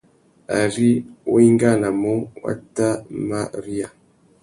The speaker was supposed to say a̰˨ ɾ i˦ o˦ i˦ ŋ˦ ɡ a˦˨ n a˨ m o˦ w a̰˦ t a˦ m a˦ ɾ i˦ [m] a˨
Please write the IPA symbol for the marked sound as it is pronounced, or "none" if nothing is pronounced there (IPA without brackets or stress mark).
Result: none